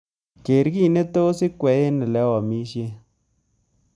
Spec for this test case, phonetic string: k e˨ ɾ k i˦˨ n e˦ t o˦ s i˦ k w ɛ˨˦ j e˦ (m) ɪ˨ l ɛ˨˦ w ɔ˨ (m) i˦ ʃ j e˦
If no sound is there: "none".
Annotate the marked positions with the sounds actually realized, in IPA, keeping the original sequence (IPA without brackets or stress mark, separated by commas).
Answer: n, m